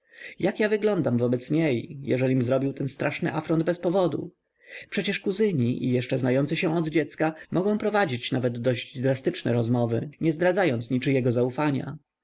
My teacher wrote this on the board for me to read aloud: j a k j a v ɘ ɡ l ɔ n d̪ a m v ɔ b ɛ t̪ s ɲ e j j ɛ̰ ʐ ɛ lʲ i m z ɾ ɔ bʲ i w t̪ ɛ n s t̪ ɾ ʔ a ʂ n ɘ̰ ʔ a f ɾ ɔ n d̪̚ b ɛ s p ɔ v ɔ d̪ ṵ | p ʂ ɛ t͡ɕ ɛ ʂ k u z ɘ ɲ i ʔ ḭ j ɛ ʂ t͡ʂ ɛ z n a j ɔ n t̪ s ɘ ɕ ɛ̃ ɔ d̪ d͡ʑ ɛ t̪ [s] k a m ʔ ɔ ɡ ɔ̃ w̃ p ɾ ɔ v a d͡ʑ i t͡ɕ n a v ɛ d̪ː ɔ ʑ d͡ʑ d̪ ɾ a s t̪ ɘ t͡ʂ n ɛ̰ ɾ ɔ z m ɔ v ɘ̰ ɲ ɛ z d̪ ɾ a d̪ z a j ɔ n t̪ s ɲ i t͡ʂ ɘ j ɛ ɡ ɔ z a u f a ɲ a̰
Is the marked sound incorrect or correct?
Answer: correct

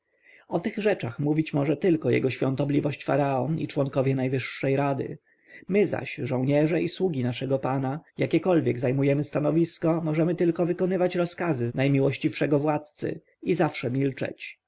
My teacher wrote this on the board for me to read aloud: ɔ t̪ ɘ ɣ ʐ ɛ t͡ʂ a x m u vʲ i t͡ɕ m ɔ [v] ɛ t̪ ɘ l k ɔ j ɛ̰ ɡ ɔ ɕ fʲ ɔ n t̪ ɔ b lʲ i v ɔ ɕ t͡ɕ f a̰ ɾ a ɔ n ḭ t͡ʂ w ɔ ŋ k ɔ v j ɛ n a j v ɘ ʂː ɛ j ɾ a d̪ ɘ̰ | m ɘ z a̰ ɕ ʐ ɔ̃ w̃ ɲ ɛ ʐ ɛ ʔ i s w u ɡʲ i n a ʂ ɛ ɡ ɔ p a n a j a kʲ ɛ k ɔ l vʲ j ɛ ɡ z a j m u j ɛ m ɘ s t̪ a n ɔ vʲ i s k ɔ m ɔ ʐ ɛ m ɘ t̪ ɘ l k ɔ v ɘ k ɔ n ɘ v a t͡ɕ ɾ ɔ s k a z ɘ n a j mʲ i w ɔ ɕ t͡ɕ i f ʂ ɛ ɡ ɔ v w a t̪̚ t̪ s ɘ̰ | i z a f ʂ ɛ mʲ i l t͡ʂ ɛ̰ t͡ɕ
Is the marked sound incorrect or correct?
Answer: incorrect: ʐ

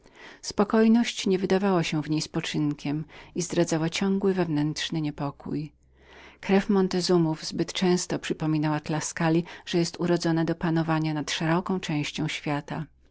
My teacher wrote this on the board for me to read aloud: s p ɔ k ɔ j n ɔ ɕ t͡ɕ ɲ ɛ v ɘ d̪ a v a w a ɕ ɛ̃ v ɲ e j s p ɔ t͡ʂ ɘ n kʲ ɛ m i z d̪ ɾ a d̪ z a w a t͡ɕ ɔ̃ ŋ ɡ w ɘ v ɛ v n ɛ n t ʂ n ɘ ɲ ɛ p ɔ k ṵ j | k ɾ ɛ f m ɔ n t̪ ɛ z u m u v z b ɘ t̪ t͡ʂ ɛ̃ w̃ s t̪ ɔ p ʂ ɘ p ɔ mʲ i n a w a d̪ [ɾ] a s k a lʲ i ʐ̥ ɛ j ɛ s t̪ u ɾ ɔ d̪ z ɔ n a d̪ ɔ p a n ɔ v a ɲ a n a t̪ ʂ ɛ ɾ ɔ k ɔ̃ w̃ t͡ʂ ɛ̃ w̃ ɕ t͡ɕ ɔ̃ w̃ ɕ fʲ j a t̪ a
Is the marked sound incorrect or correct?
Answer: incorrect: l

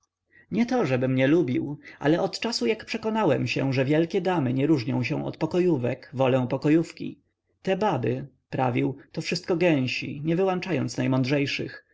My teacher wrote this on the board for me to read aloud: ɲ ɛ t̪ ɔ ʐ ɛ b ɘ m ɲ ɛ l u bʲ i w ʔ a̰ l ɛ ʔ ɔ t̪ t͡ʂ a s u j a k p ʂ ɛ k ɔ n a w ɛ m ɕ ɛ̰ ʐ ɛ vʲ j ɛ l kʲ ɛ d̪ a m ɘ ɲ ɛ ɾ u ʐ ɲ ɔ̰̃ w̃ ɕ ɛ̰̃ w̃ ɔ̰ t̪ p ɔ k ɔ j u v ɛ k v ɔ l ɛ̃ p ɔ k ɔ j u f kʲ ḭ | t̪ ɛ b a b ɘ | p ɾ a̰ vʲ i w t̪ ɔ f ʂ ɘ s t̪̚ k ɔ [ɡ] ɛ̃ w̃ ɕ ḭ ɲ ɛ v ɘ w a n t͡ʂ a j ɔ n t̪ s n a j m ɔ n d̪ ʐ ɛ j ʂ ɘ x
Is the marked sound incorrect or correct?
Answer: correct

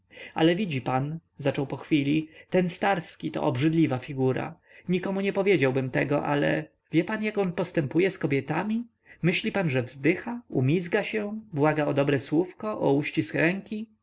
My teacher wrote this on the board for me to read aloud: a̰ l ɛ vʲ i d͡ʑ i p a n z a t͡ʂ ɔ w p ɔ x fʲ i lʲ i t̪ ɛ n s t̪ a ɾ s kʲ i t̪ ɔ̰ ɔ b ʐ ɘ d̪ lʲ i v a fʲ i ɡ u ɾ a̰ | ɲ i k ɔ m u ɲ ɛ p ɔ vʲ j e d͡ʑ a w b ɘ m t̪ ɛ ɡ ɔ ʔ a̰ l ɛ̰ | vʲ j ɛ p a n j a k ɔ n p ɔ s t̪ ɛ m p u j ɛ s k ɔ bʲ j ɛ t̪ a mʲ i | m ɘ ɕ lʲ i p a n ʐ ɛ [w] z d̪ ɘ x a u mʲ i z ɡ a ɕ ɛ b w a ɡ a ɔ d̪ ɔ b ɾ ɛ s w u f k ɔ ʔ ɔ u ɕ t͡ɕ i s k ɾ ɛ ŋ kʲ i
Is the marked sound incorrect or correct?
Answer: incorrect: v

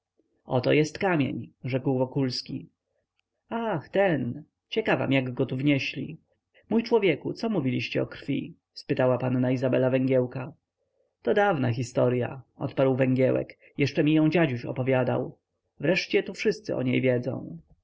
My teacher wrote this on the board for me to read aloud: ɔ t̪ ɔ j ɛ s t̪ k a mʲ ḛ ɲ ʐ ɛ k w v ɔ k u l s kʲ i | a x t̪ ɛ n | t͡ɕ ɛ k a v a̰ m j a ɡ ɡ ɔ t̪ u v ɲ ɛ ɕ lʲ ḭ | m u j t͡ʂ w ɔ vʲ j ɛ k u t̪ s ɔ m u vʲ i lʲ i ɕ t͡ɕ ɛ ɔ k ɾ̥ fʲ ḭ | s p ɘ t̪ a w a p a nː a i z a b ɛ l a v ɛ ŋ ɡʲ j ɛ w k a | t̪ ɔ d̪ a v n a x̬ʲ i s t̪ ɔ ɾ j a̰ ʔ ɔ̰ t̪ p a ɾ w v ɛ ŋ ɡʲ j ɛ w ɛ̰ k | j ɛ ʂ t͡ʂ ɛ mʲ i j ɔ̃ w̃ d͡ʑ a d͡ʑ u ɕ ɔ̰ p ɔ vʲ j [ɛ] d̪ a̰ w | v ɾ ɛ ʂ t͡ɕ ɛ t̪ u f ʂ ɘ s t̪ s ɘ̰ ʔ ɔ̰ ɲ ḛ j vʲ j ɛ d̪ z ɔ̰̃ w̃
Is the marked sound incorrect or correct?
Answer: incorrect: a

